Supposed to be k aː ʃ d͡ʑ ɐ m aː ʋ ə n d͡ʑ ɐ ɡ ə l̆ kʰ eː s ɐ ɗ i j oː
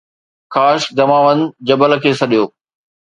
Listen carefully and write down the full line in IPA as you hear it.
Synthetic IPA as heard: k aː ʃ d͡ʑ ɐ m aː ʋ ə n d͡ʑ ɐ b ə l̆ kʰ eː s ɐ ɗ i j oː